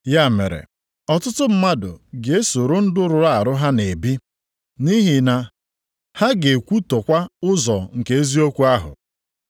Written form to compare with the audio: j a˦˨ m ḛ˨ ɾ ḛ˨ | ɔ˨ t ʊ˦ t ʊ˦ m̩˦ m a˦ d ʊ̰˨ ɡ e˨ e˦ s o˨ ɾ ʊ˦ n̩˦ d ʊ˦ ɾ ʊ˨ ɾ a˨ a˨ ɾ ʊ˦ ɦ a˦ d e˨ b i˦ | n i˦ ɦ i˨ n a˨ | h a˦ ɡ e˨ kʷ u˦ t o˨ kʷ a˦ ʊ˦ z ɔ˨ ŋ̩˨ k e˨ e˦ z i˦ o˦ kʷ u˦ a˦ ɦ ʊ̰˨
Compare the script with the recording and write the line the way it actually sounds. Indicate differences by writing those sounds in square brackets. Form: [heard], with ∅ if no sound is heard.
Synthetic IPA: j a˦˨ m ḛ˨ ɾ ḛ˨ | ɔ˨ t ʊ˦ t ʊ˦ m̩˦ m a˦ d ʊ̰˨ ɡ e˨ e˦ s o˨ ɾ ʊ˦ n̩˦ d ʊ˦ ɾ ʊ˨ ɾ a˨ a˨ ɾ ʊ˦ ɦ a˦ [n] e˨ b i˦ | n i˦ ɦ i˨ n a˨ | h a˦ ɡ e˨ kʷ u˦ t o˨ kʷ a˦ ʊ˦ z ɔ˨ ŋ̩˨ k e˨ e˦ z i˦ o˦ kʷ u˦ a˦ ɦ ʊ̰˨